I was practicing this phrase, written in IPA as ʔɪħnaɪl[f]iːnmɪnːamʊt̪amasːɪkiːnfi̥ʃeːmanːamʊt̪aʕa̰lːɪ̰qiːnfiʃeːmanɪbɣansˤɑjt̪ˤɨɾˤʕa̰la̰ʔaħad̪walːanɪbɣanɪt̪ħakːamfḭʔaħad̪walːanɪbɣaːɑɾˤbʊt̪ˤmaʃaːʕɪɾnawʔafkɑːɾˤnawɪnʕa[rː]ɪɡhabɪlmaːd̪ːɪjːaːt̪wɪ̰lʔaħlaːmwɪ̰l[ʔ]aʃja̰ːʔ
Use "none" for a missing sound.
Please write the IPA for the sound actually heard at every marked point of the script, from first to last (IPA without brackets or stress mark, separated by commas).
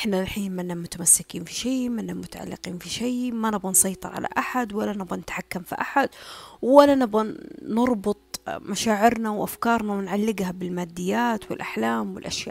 ħ, lː, ʔ